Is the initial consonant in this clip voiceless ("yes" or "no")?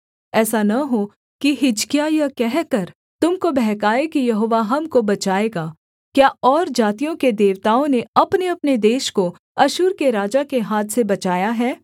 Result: yes